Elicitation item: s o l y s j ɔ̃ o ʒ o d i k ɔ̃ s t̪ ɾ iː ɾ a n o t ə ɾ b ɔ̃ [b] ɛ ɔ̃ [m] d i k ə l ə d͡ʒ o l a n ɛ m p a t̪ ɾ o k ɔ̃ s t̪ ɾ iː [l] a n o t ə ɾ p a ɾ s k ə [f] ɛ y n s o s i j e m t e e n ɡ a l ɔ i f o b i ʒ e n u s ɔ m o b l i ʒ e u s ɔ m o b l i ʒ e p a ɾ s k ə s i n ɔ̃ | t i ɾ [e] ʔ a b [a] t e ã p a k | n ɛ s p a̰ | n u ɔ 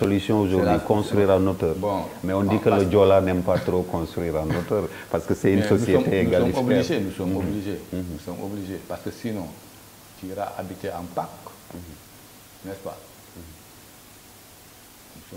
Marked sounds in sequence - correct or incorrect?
incorrect, incorrect, incorrect, incorrect, incorrect, incorrect

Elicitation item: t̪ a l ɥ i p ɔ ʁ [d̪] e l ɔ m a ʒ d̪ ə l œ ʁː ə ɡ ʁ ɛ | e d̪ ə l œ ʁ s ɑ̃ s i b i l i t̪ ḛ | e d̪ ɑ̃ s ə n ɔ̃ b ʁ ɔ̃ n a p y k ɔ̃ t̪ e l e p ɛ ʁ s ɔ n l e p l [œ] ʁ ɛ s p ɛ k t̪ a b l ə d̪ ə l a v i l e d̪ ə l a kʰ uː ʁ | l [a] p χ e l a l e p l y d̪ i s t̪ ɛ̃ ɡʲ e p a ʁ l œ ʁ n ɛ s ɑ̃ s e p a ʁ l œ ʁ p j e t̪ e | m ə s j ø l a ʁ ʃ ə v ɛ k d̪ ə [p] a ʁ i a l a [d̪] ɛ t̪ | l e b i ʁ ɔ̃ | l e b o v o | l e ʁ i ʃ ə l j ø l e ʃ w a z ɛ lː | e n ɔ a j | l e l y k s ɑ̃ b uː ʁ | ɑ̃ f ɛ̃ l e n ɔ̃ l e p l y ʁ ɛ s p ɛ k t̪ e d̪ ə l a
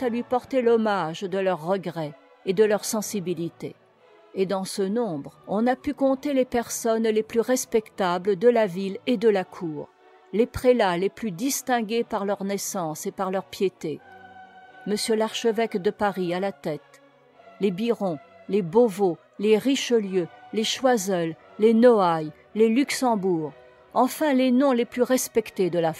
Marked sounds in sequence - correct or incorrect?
incorrect, incorrect, incorrect, correct, incorrect

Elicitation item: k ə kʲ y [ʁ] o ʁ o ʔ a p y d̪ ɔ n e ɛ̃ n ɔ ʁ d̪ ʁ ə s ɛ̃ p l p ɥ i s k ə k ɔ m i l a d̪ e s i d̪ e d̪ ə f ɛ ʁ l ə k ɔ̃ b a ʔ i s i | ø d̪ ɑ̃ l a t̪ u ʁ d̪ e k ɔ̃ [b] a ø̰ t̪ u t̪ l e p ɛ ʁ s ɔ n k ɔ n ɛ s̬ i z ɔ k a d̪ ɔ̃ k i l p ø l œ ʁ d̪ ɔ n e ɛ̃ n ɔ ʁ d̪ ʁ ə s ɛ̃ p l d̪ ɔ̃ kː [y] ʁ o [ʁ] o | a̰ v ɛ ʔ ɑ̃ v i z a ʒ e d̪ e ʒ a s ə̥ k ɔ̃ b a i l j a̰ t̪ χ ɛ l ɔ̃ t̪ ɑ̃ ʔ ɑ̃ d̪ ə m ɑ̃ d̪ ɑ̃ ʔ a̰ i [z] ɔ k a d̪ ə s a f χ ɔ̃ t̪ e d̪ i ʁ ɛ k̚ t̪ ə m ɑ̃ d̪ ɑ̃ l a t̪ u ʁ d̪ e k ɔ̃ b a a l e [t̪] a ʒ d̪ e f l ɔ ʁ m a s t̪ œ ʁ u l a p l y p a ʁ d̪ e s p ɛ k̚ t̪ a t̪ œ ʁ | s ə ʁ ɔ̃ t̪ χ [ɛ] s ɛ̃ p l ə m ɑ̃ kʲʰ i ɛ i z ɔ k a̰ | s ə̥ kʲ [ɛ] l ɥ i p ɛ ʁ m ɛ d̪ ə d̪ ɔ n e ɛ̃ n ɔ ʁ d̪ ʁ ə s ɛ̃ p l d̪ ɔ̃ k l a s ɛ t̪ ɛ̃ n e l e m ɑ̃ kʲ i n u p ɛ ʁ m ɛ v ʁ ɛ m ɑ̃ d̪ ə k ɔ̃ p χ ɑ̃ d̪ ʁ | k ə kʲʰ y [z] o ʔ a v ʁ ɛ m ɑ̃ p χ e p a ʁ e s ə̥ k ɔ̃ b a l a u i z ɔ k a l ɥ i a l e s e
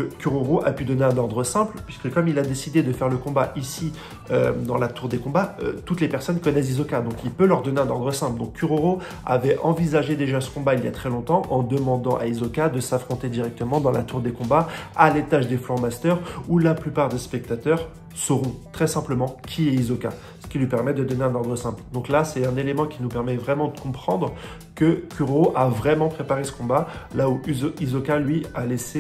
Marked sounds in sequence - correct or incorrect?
correct, correct, correct, correct, correct, correct, correct, incorrect, incorrect

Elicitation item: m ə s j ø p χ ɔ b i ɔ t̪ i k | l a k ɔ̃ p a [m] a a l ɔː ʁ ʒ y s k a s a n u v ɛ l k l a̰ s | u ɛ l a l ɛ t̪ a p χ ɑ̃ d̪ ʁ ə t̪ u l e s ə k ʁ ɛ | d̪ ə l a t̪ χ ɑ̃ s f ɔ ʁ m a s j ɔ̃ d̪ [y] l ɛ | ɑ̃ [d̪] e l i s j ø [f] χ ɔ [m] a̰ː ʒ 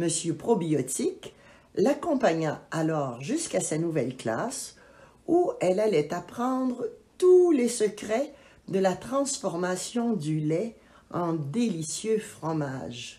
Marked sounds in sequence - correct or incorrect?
incorrect, correct, correct, correct, correct

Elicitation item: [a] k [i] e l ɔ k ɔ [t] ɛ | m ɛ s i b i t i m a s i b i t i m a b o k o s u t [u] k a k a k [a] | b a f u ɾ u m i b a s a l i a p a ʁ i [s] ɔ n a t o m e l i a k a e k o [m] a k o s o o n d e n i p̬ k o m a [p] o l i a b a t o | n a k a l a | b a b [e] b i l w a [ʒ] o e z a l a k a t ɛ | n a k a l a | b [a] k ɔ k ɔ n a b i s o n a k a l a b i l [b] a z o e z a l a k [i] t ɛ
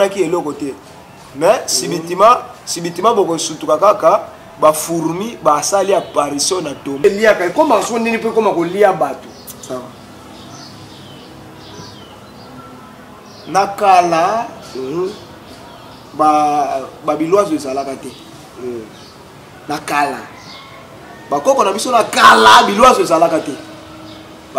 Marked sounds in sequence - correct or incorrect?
correct, correct, correct, correct, correct, correct, correct, incorrect, incorrect, incorrect, correct, incorrect, incorrect

